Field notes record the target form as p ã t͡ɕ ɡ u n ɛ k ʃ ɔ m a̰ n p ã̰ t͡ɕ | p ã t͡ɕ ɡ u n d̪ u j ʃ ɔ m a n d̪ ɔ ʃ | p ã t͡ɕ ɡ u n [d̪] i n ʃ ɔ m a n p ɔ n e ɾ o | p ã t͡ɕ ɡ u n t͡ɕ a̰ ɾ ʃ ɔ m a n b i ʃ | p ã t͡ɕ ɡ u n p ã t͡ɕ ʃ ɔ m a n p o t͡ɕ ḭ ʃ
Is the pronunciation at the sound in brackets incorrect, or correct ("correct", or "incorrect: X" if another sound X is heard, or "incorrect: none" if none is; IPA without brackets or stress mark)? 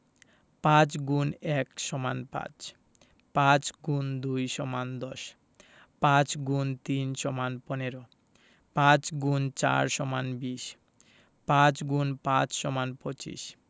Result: incorrect: t̪